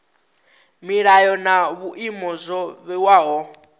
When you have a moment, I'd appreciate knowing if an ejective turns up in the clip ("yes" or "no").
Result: no